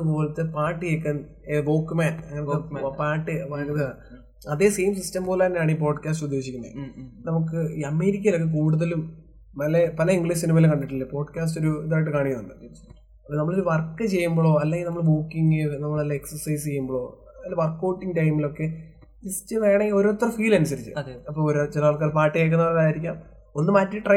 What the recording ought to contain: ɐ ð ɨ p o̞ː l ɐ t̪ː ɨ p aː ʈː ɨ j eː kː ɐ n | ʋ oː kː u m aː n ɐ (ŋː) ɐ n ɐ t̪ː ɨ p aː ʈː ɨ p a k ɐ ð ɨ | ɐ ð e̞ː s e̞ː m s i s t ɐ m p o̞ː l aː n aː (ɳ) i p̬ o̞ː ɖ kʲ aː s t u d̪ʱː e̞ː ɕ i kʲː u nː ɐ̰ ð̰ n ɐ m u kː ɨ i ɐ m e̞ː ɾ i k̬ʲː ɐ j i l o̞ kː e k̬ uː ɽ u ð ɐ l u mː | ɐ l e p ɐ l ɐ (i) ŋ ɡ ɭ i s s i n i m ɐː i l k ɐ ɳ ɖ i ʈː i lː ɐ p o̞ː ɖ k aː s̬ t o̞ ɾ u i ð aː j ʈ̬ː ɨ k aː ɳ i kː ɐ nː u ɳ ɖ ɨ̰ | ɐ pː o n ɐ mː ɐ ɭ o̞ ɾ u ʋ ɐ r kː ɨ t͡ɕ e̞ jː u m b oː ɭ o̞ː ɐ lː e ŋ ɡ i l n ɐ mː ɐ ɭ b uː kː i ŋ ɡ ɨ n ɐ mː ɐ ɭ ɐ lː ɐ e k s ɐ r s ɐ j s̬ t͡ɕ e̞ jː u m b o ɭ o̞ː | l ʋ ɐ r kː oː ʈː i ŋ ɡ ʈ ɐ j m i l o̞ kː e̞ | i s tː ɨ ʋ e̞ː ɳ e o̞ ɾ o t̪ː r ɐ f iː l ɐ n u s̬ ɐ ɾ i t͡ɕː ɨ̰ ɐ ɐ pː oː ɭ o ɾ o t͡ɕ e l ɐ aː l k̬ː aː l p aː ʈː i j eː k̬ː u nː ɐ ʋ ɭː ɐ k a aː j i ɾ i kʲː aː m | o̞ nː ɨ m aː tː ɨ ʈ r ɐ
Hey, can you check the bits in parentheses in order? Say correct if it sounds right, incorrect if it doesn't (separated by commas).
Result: correct, correct, correct